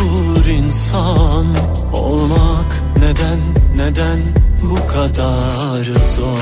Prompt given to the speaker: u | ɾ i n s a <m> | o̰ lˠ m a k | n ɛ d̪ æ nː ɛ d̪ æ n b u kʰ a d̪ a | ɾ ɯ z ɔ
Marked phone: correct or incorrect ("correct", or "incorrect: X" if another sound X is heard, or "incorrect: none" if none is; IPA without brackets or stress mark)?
incorrect: n